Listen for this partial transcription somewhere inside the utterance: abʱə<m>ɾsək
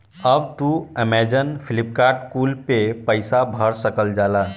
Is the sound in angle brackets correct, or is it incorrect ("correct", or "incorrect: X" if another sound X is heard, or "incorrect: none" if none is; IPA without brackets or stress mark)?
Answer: incorrect: none